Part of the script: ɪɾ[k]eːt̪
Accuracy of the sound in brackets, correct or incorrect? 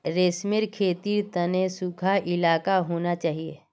incorrect